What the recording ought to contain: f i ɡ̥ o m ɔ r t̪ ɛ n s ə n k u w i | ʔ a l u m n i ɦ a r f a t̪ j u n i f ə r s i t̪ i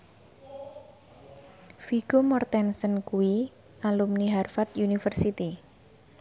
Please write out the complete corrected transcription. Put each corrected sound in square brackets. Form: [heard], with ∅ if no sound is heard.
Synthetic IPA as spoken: f i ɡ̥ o m ɔ r t̪ ɛ n s ə n k u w i | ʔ a l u m n i ɦ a r f a t̪ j u n i f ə r s i t̪ i